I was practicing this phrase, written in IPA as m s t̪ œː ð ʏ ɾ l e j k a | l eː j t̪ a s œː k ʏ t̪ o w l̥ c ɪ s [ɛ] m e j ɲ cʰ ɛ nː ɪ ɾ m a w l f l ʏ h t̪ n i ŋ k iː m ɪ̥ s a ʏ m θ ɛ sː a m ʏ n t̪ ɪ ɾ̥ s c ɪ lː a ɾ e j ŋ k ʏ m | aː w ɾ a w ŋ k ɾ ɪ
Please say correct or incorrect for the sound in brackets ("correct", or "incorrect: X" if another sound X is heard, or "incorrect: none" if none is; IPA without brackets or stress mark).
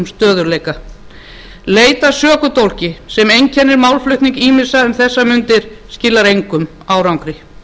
correct